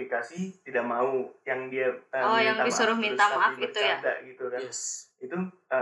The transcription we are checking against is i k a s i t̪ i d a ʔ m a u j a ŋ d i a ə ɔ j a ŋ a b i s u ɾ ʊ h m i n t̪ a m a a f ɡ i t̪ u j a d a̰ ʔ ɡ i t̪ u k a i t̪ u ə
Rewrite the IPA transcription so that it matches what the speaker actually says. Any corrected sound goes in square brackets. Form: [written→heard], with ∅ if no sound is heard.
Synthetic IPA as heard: i k a s i t̪ i d a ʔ m a u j a ŋ d i a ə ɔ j a ŋ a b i s u ɾ ʊ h m i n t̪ a m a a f ɡ i t̪ u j a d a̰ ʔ ɡ i t̪ u k a i t̪ u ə